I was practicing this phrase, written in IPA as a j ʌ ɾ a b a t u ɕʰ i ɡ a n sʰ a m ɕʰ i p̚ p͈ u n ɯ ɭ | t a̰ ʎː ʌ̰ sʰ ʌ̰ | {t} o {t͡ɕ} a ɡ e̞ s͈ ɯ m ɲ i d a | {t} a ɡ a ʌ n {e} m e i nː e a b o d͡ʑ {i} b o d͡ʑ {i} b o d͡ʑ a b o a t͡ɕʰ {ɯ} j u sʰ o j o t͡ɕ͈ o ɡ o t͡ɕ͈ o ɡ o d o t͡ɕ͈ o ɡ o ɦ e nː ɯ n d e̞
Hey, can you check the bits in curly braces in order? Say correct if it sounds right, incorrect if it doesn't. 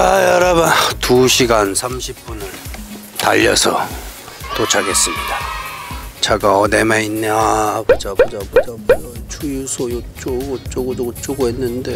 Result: correct, incorrect: t͡ɕʰ, incorrect: t͡ɕ, correct, incorrect: a, incorrect: a, incorrect: u

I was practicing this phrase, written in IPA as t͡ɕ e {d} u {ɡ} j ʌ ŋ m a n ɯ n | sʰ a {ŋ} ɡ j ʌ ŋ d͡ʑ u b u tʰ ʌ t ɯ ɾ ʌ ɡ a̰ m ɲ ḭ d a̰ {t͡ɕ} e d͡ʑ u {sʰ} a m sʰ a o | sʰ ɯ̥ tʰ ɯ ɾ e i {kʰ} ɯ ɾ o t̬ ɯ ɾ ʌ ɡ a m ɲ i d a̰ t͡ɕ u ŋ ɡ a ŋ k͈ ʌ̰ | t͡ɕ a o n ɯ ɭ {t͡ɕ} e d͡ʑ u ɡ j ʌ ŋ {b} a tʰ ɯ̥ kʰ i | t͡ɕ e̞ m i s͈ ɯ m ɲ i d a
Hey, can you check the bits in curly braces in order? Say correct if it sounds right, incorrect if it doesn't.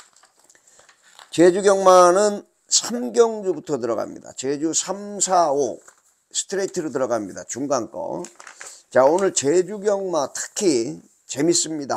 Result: incorrect: d͡ʑ, correct, incorrect: m, correct, correct, incorrect: tʰ, correct, incorrect: m

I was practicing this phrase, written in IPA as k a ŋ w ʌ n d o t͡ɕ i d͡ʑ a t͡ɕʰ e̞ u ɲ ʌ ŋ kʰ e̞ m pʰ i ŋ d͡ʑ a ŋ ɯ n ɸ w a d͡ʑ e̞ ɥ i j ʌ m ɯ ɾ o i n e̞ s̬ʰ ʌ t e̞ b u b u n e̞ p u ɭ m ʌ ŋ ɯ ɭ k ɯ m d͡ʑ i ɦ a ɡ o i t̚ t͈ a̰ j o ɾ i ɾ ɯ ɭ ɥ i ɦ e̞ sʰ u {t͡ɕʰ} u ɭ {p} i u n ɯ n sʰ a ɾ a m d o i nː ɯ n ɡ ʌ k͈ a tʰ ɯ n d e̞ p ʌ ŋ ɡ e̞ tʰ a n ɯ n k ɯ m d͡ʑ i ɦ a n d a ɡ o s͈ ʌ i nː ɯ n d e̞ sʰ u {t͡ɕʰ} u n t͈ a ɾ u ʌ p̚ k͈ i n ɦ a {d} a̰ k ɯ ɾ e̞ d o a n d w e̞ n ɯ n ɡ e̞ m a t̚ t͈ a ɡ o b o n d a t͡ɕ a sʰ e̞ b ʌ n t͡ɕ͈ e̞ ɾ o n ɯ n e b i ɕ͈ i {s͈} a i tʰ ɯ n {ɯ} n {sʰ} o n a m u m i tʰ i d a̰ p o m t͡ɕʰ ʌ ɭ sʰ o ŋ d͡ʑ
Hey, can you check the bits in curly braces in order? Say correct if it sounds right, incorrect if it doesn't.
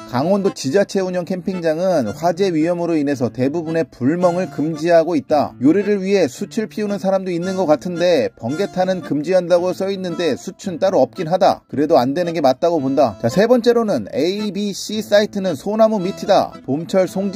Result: correct, incorrect: pʰ, correct, correct, correct, correct, correct

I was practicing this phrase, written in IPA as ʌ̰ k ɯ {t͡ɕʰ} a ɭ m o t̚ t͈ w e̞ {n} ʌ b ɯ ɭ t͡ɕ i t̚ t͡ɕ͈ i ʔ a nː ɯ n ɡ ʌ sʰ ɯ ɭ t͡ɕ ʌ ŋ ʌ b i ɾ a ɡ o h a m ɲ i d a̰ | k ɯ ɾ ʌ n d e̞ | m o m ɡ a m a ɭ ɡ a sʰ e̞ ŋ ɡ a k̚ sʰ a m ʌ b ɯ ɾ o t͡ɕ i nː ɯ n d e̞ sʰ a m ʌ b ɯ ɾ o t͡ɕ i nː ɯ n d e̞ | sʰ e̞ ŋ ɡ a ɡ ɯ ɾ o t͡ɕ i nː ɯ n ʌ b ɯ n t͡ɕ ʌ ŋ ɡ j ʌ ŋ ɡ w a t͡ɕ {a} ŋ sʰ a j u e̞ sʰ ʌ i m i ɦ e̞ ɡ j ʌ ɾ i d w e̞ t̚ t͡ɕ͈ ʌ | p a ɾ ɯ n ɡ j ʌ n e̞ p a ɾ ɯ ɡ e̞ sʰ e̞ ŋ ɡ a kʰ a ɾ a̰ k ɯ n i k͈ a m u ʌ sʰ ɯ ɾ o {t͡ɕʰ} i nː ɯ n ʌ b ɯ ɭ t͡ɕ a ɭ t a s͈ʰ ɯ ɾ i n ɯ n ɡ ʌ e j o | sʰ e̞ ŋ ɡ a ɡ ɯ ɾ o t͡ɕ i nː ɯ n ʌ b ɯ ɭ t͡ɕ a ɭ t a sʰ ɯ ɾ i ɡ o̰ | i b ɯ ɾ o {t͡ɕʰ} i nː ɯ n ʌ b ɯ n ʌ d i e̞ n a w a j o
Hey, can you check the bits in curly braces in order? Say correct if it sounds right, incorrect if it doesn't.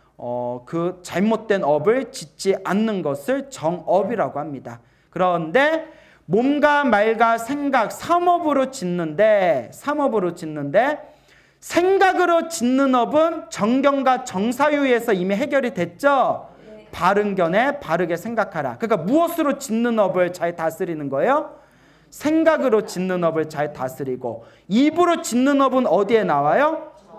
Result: incorrect: t͡ɕ, correct, incorrect: ʌ, incorrect: t͡ɕ, incorrect: t͡ɕ

